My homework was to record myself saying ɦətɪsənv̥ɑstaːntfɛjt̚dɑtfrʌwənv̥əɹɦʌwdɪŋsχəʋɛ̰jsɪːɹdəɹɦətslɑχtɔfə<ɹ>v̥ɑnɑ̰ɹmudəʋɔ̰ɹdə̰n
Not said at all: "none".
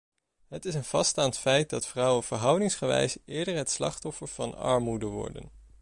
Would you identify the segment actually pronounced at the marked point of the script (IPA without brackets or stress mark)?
ɹ